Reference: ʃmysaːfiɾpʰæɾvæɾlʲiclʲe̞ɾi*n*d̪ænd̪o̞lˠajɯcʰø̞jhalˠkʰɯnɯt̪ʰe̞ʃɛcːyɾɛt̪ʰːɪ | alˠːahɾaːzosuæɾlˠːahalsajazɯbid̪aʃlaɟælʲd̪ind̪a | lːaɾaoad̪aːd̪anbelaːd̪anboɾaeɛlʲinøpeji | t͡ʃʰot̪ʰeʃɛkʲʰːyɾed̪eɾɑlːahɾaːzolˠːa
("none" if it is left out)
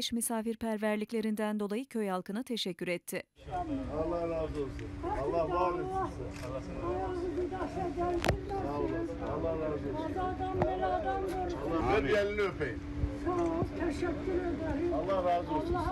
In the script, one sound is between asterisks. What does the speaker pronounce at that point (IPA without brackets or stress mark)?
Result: n